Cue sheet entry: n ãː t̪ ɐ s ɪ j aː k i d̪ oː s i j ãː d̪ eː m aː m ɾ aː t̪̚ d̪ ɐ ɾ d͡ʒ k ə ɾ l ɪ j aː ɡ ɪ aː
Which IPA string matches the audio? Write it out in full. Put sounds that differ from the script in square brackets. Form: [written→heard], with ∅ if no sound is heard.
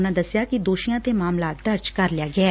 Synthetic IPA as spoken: n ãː [t̪→d̪] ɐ s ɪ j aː k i d̪ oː [s→ʃ] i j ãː [d̪→t̪] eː m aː m [ɾ→l] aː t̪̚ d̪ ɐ ɾ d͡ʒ k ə ɾ l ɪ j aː ɡ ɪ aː